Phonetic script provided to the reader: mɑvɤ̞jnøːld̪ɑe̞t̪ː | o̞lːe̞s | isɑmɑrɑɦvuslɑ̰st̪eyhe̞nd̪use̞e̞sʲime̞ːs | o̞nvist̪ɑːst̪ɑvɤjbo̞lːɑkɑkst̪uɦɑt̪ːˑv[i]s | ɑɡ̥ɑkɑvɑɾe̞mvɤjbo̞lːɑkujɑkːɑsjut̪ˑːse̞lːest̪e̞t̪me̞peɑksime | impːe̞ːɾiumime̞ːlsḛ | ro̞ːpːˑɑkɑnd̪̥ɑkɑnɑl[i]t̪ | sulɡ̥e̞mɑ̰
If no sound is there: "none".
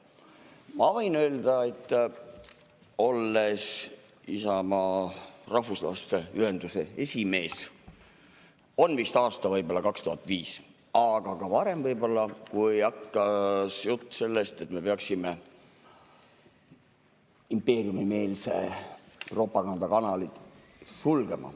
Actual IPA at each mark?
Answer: iː, i

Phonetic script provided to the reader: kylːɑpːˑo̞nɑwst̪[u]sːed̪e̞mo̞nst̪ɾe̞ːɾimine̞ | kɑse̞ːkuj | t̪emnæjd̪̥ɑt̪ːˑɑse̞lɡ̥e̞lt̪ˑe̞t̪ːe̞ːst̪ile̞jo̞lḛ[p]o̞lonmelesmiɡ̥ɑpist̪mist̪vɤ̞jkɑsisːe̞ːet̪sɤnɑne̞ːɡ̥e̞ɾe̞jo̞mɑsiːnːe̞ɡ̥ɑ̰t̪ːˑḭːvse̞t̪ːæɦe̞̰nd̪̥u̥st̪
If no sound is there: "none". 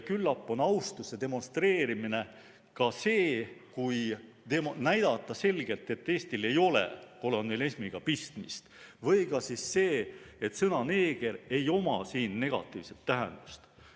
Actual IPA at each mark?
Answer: u, k

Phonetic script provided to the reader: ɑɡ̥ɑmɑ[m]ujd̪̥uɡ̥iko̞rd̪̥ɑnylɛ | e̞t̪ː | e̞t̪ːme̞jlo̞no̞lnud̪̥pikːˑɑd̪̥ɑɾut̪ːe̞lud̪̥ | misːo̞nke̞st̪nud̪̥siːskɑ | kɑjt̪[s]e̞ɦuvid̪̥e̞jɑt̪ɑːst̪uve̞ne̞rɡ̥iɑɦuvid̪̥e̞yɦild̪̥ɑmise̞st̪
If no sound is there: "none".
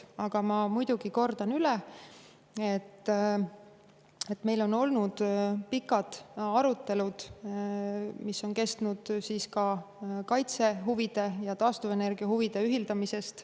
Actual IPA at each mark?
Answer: m, s

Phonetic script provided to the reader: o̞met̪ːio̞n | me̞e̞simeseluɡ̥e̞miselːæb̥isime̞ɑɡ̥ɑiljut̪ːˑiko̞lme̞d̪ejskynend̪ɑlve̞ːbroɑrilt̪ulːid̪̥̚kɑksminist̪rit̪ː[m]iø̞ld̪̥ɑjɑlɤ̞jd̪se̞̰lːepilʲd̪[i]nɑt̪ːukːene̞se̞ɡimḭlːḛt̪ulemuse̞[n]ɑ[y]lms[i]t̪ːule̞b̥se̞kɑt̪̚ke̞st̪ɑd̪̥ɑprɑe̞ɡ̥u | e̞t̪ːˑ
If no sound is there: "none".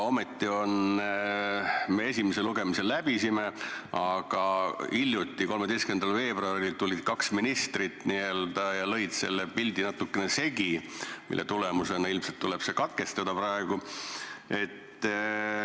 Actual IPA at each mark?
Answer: n, i, n, i, e

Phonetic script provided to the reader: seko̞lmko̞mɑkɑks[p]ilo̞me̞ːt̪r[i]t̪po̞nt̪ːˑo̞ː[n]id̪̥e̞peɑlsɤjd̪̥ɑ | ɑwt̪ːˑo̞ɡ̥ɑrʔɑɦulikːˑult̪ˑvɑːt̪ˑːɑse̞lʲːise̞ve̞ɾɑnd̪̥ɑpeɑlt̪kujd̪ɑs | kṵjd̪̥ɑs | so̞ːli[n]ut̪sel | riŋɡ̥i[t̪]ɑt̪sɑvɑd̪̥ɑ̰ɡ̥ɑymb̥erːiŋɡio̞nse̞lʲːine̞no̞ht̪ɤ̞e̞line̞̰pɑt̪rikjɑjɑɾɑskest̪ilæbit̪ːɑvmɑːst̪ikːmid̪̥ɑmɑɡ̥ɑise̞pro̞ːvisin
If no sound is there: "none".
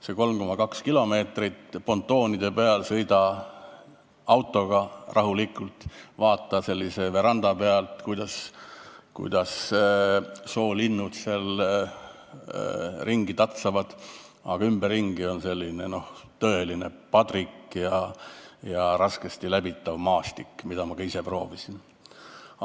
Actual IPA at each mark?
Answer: k, i, n, nː, t̪

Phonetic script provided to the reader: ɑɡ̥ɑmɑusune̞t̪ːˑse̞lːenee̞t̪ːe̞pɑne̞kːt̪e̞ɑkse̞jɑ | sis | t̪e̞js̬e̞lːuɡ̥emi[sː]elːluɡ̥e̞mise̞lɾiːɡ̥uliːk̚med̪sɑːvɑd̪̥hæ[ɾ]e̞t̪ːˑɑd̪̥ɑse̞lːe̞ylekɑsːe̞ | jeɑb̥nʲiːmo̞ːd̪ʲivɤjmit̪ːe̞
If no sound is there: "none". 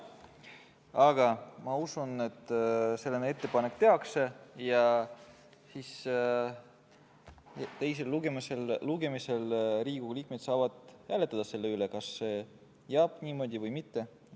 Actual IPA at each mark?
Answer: s, l

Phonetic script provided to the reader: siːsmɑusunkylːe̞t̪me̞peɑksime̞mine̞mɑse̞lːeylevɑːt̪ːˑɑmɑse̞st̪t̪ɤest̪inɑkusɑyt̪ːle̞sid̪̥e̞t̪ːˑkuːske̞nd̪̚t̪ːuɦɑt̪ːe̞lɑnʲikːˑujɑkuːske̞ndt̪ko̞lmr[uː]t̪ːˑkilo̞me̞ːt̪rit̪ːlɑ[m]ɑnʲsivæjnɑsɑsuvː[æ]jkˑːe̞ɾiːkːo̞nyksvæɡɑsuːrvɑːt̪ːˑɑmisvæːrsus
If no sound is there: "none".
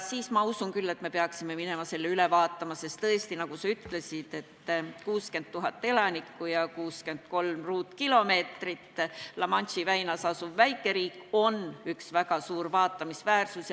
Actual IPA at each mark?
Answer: uː, m, æ

